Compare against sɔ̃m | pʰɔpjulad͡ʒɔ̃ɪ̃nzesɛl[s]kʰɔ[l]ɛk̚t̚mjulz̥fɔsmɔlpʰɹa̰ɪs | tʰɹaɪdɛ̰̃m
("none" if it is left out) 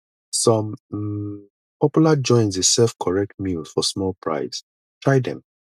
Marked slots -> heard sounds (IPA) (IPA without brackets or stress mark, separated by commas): f, ɹ